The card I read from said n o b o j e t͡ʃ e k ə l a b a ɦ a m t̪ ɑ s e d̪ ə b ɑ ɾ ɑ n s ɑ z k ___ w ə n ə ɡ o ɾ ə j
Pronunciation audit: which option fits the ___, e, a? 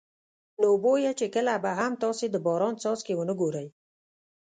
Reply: e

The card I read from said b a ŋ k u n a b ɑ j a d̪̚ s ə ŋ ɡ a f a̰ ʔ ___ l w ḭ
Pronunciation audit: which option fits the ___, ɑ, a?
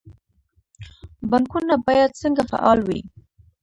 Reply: ɑ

